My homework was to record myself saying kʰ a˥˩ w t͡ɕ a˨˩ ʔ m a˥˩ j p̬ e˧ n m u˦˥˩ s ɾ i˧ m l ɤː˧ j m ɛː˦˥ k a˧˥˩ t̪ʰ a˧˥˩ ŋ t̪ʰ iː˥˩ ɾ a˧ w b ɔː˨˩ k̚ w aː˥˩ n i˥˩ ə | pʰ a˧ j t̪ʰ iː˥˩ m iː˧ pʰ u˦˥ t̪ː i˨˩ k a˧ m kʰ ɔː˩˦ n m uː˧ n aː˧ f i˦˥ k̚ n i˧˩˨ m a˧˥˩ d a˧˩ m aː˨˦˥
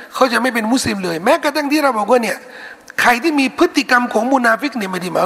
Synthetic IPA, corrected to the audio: kʰ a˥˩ w t͡ɕ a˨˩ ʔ m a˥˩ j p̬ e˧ n m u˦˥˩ s l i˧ m l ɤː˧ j m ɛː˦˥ k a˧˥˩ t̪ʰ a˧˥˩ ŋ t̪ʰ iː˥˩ ɾ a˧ w b ɔː˨˩ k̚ w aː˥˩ n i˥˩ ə | kʰ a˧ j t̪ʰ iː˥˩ m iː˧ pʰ ɯ˦˥ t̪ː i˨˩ k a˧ m kʰ ɔː˩˦ ŋ m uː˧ n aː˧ f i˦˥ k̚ n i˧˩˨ m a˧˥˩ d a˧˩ m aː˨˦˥